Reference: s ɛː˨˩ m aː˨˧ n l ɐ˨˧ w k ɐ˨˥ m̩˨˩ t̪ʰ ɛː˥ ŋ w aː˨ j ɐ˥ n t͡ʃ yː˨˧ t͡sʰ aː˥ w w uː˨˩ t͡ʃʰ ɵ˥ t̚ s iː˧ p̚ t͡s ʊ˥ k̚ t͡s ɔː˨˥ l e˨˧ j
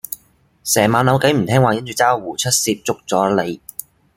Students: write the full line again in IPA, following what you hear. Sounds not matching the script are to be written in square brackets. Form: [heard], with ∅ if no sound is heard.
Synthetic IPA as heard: s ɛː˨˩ m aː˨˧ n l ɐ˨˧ w k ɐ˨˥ m̩˨˩ t̪ʰ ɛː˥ ŋ w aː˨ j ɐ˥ n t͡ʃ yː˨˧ [t͡s] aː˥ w w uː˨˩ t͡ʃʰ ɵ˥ t̚ s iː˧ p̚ t͡s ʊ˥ k̚ t͡s ɔː˨˥ l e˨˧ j